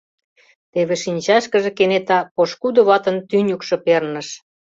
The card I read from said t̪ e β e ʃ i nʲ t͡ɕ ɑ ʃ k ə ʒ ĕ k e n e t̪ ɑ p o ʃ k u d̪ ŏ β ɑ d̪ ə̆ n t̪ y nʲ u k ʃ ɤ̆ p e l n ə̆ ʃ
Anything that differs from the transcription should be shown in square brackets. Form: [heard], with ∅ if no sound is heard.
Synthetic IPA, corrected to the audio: t̪ e β e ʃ i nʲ t͡ɕ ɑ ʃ k ə ʒ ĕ k e n e t̪ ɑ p o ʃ k u d̪ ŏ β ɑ [t̪] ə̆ n t̪ y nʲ u k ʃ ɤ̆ p e [r] n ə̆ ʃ